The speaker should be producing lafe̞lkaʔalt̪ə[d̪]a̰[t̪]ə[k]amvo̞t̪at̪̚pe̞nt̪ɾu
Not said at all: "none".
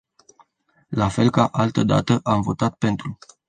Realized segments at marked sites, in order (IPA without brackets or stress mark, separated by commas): d̪, t̪, ʔ